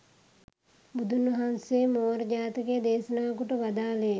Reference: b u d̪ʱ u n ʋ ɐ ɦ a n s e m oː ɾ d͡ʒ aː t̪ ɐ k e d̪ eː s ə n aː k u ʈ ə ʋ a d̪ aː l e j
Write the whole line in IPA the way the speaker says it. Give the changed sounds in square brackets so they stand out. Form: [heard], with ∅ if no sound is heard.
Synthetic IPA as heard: b u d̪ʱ u n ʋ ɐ ɦ a n s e m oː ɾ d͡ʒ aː t̪ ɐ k e d̪ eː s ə n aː k u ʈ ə ʋ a d̪ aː l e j